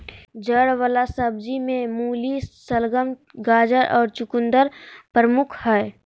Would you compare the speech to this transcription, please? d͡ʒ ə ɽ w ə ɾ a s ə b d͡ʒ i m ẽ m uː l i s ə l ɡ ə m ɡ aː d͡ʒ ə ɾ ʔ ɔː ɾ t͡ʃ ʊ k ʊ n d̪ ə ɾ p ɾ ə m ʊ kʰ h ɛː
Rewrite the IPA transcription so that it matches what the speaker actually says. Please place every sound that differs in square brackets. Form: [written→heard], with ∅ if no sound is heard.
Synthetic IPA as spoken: d͡ʒ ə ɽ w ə [ɾ→l] a s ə b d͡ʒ i m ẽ m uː l i s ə l ɡ ə m ɡ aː d͡ʒ ə ɾ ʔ ɔː ɾ t͡ʃ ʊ k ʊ n d̪ ə ɾ p ɾ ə m ʊ kʰ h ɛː